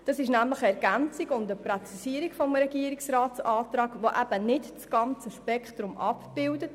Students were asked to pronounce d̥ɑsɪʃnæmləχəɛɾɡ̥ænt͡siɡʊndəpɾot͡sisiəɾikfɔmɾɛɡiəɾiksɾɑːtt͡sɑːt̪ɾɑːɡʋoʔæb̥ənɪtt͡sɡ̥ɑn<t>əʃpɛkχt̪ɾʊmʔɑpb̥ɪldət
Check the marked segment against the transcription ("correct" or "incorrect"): incorrect